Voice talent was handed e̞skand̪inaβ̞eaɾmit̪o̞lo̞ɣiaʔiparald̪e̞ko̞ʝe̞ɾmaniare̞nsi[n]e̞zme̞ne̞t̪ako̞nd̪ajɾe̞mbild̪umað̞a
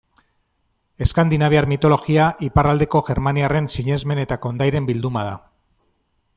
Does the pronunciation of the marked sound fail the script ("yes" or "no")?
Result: yes